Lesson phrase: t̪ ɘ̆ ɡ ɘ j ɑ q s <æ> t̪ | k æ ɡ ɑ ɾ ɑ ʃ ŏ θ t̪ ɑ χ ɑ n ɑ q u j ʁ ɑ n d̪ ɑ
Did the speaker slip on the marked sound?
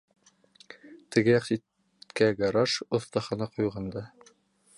yes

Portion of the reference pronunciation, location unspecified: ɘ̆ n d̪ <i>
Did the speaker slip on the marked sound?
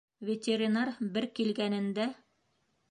yes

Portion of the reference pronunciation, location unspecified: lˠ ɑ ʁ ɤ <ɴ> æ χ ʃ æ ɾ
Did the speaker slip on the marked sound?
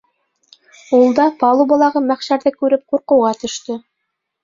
yes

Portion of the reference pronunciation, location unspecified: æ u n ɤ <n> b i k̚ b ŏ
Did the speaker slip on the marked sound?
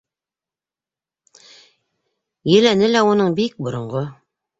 yes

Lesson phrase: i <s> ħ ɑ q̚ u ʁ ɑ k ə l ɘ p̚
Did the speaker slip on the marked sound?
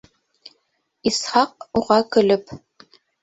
no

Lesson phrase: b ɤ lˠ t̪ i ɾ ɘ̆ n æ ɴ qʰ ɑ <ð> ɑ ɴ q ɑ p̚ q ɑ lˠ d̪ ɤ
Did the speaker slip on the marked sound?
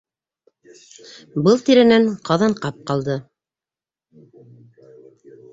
no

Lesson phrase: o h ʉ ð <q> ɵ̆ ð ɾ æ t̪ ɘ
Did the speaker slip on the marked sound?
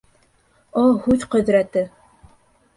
no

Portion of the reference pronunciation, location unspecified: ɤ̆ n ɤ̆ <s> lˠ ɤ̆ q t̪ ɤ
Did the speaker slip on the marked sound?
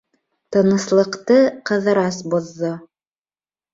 no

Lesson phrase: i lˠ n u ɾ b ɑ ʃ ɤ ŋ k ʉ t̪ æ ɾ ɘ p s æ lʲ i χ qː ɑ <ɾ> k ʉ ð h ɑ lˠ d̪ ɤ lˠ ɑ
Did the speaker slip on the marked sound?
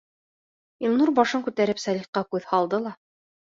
yes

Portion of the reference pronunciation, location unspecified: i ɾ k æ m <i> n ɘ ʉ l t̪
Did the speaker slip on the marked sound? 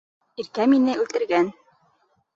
no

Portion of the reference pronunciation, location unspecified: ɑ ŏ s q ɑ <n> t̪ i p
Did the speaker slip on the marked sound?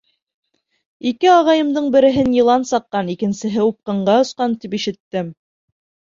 no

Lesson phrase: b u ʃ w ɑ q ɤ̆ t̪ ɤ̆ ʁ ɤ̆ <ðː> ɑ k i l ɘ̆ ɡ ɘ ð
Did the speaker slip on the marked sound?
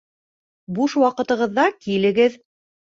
no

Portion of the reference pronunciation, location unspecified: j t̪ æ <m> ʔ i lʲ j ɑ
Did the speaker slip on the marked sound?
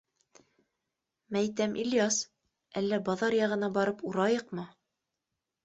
no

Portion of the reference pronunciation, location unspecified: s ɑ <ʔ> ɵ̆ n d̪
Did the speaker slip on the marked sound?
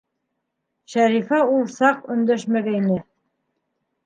yes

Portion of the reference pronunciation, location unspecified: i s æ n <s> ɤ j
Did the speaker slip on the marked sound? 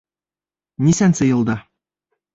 no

